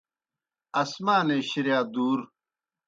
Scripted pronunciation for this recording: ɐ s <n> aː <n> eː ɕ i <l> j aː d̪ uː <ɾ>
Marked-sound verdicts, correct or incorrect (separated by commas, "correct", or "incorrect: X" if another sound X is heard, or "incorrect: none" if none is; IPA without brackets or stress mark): incorrect: m, correct, incorrect: ɾ, correct